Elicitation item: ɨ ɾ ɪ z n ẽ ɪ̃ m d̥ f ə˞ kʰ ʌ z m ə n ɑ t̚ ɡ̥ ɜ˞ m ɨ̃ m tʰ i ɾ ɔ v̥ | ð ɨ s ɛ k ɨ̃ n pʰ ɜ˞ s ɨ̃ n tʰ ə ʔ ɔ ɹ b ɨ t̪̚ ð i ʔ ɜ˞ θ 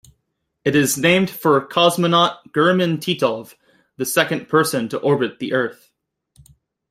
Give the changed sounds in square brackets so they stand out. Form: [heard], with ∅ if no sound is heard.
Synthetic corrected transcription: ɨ ɾ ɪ z n ẽ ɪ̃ m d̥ f ə˞ kʰ [ɑ] z m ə n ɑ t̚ ɡ̥ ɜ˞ m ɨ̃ [n] tʰ i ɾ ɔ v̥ | ð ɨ s ɛ k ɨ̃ n pʰ ɜ˞ s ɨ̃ n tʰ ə ʔ ɔ ɹ b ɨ t̪̚ ð i ʔ ɜ˞ θ